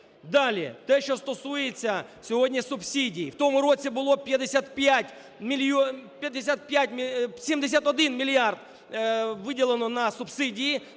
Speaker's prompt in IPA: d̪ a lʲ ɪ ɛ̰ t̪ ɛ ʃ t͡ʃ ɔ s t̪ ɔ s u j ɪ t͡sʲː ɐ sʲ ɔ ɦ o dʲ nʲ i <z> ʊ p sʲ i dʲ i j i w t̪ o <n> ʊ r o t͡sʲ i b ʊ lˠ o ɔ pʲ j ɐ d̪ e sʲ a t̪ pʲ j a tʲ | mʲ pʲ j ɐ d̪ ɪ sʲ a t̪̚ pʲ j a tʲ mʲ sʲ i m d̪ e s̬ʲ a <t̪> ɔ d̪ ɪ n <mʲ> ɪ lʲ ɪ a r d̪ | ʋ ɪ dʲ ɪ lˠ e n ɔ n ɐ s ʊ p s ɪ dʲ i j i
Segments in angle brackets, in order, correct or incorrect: incorrect, incorrect, correct, correct

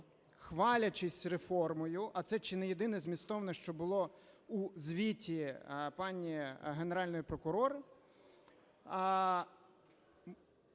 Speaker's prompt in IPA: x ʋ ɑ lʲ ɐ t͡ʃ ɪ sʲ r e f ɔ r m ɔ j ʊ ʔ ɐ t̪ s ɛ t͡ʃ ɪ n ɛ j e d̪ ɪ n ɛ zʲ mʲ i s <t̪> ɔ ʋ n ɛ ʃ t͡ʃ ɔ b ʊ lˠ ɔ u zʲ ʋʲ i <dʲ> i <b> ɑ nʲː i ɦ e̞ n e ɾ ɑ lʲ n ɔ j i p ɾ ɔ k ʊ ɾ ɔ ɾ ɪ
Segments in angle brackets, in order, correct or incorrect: correct, incorrect, incorrect

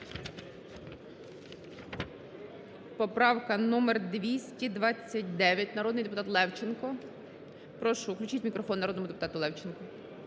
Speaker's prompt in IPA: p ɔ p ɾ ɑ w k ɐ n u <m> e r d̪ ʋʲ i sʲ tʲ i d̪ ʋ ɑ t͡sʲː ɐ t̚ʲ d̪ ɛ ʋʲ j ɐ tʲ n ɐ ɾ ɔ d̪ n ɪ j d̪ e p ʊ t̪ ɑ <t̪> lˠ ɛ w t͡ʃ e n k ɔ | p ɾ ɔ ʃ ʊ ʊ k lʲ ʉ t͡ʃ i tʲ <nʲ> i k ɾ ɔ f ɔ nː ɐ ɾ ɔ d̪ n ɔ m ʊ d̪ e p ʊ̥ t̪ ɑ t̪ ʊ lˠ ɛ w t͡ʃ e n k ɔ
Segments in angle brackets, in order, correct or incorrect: correct, correct, incorrect

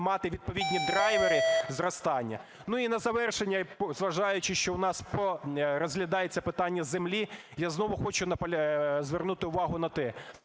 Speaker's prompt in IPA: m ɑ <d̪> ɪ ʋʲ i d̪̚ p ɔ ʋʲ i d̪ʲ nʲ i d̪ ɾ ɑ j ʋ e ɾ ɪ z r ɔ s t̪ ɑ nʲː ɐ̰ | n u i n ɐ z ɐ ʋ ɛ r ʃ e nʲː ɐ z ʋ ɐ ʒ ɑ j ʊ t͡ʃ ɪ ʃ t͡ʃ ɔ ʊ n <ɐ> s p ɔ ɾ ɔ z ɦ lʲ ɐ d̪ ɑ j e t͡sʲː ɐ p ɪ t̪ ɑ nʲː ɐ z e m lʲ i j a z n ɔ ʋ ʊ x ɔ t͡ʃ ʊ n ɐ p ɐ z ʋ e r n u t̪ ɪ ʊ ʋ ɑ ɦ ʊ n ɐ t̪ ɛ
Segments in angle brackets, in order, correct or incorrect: incorrect, incorrect

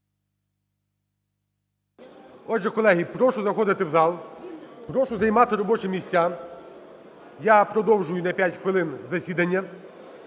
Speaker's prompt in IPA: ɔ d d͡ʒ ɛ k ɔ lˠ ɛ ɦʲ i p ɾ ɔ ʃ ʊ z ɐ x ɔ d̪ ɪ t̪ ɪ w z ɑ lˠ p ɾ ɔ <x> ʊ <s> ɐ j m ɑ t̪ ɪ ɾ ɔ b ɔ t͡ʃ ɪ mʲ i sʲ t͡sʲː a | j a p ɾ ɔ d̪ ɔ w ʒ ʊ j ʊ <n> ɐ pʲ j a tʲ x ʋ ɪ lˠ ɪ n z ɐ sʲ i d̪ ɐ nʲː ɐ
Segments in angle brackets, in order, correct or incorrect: incorrect, incorrect, correct

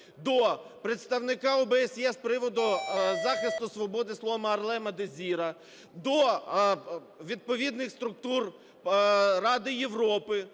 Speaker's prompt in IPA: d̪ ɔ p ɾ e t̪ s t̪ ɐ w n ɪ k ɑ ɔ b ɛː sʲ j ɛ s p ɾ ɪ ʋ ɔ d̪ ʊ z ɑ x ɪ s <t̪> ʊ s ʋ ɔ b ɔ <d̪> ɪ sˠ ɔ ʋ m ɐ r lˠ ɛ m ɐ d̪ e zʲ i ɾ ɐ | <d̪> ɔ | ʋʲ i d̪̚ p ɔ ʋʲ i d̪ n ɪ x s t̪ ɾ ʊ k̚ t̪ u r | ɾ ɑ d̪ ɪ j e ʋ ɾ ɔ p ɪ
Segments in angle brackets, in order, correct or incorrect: correct, correct, correct

